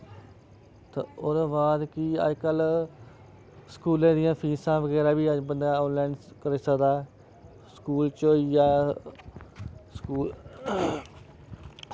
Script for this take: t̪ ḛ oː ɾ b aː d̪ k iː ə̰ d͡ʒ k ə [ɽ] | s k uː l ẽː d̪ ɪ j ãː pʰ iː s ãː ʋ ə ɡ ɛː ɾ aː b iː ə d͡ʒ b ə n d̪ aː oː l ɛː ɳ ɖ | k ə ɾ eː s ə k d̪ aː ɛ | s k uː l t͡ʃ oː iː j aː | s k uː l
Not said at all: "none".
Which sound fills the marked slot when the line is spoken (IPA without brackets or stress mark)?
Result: l